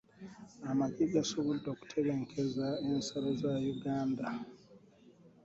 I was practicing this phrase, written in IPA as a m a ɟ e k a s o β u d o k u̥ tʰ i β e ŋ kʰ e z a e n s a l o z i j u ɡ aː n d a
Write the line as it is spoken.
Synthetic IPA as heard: a m a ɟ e ɡ a s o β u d o k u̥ tʰ e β e ŋ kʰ e z a e n s a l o z a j u ɡ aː n d a